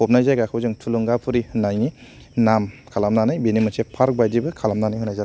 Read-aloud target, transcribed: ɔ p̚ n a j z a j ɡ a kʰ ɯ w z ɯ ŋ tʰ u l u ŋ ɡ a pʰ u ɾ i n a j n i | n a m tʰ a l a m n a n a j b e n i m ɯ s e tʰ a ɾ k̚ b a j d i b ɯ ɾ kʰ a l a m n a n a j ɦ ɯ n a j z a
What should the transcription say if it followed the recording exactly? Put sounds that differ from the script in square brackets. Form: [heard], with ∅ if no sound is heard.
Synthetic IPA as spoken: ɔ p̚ n a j z a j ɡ a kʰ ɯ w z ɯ ŋ tʰ u l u ŋ ɡ a pʰ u ɾ i n a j n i | n a m [kʰ] a l a m n a n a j b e n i m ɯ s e [pʰ] a ɾ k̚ b a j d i b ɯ [∅] kʰ a l a m n a n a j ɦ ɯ n a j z a